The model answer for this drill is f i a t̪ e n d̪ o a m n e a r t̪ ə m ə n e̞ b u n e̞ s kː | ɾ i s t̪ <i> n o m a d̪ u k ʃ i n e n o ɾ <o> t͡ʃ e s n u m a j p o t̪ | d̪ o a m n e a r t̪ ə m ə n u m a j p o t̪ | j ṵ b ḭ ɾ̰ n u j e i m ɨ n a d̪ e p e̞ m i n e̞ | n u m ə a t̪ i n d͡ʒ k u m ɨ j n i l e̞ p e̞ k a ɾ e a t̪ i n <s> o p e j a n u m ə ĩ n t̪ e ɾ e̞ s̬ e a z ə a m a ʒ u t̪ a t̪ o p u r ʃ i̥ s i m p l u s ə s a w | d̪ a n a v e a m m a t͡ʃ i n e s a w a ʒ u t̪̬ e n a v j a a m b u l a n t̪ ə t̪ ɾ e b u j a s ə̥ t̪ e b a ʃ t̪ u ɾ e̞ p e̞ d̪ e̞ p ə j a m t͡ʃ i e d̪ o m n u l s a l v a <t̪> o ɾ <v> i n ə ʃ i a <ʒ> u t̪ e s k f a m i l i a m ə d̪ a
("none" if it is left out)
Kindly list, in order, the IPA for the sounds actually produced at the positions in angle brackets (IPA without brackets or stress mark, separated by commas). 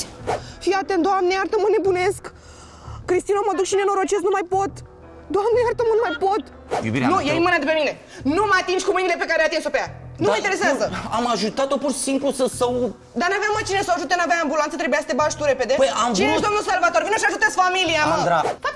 i, o, s, t̪, v, ʒ